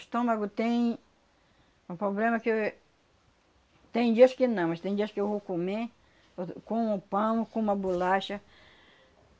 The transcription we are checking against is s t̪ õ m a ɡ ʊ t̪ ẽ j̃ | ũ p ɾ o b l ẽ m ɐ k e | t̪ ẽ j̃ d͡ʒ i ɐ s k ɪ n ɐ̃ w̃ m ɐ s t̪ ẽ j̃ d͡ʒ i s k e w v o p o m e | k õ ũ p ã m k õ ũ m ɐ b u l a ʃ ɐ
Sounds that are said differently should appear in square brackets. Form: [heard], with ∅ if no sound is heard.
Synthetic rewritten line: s t̪ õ m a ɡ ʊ t̪ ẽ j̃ | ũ p ɾ o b l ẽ m ɐ k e | t̪ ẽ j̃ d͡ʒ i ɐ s k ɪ n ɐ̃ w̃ m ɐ s t̪ ẽ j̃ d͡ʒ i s k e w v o [k] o m e | k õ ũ p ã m k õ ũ m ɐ b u l a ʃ ɐ